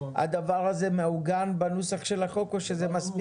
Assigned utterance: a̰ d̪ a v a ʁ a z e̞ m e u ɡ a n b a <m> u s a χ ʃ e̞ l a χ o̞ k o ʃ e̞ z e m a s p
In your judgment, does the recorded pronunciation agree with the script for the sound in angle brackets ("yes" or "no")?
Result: no